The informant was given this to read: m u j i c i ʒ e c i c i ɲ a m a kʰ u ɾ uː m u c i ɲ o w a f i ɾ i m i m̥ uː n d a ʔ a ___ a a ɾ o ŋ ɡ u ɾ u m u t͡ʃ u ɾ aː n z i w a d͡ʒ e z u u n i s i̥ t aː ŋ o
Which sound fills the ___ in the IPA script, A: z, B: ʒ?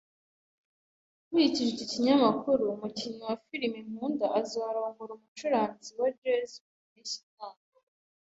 A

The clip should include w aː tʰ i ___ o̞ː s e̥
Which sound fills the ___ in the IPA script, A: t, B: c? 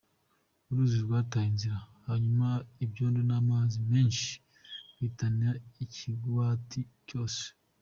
B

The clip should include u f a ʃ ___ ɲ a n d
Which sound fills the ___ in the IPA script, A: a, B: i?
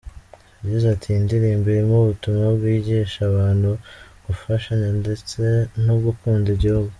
A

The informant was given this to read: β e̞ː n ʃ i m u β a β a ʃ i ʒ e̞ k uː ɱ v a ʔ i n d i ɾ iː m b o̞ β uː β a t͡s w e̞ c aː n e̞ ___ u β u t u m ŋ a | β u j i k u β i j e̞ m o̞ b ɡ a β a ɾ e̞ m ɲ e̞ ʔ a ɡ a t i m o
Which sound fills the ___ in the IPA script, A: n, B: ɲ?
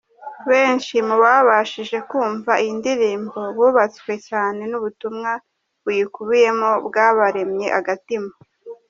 A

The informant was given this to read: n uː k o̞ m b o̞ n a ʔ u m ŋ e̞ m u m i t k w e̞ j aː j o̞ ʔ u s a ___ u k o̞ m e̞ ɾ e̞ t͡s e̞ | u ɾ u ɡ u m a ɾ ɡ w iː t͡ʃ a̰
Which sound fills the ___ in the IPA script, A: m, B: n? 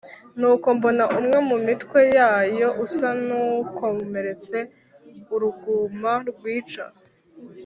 B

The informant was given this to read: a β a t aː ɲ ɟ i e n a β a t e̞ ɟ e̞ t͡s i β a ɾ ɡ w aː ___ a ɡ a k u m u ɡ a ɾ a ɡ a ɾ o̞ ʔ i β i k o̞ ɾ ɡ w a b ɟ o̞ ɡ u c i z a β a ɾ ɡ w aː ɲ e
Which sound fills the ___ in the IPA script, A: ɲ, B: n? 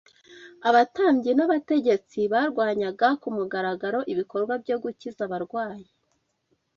A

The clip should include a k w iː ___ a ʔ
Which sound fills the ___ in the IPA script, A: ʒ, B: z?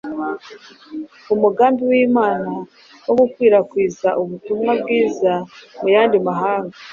B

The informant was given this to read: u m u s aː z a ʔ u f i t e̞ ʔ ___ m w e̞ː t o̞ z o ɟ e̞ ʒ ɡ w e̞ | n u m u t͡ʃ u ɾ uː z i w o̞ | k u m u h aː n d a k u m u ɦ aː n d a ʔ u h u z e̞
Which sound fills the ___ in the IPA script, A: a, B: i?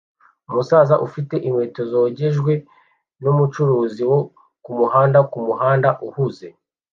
B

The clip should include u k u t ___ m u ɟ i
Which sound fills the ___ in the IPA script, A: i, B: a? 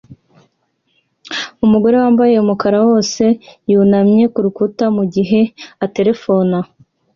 B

